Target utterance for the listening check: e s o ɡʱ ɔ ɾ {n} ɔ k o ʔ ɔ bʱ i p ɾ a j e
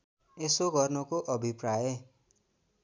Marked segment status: correct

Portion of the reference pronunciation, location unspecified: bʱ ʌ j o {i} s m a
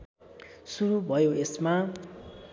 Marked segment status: incorrect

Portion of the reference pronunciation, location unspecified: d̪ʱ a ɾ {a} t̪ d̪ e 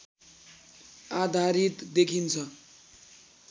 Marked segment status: incorrect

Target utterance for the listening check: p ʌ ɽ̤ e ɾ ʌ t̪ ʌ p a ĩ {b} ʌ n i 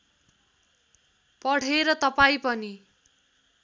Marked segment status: incorrect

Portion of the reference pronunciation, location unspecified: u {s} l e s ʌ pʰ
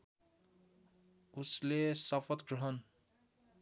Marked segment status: correct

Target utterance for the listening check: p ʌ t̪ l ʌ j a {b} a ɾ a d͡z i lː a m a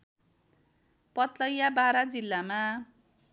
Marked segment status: correct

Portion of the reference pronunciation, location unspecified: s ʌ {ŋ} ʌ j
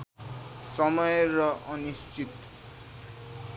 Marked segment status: incorrect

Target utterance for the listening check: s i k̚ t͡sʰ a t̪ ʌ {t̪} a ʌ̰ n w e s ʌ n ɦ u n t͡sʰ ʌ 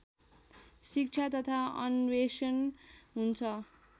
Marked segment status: incorrect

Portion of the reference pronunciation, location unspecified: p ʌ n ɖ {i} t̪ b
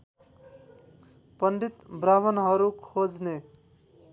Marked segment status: correct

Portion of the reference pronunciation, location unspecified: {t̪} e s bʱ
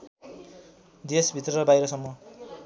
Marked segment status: incorrect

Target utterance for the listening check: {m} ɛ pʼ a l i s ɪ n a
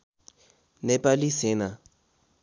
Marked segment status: incorrect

